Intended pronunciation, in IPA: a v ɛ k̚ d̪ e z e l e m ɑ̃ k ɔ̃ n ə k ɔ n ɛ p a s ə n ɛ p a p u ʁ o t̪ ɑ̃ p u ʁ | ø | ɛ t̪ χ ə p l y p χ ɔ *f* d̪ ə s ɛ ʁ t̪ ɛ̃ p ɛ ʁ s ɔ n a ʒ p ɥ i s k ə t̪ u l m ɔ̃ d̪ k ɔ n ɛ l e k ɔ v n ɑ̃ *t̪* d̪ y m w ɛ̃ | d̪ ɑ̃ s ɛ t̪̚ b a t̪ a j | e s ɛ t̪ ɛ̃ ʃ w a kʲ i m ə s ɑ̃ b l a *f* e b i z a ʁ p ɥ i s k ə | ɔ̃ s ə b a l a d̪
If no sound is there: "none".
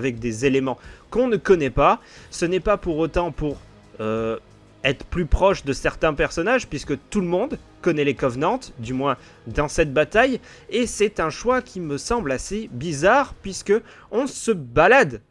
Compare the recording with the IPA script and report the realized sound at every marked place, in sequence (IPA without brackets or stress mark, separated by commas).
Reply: ʃ, t̪, s